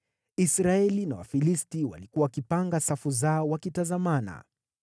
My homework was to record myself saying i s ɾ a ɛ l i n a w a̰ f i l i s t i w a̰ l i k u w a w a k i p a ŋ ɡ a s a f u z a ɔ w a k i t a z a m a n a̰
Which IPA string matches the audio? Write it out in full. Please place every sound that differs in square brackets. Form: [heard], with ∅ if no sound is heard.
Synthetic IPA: i s ɾ a ɛ l i n a w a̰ f i l i s t i w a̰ l i k u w a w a k i p a ŋ ɡ a s a f u z a ɔ w a k i t a z a m a n a̰